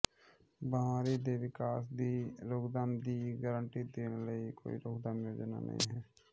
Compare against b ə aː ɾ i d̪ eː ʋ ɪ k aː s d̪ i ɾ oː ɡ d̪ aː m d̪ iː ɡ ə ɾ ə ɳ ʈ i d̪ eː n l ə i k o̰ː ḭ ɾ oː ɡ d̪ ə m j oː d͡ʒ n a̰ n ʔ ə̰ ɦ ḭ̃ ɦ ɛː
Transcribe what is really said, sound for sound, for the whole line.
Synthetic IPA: b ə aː ɾ i d̪ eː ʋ ɪ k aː s d̪ i ɾ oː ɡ d̪ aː m d̪ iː ɡ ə ɾ ə ɳ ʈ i d̪ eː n l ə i k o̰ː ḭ ɾ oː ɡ d̪ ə m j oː d͡ʒ n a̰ n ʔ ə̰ ɦ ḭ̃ ɦ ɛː